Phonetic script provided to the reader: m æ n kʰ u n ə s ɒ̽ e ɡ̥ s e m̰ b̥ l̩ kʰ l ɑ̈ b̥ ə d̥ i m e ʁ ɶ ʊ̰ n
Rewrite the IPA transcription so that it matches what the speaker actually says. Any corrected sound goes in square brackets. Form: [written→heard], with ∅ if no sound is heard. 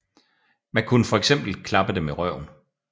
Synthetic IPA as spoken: m æ n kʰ u n ə [s→f] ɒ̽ e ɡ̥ s e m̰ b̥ l̩ kʰ l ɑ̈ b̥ ə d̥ [i→e] m e ʁ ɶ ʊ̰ n